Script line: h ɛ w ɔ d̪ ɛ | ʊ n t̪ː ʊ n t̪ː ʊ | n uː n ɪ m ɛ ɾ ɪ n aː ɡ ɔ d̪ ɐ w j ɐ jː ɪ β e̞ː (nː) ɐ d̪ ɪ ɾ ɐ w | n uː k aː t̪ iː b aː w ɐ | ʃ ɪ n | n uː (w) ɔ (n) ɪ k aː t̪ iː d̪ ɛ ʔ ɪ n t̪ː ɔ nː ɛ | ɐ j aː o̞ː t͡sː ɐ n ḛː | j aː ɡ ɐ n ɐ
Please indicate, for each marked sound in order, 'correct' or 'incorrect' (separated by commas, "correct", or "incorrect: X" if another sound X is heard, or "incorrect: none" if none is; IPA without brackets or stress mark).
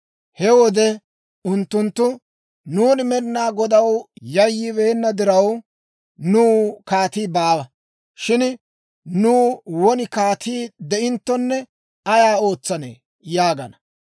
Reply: correct, correct, correct